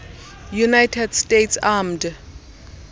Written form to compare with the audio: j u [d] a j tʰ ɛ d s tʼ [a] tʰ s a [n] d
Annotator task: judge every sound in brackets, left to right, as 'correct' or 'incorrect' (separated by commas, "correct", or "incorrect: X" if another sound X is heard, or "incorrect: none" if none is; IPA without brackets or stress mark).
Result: incorrect: n, incorrect: e, incorrect: m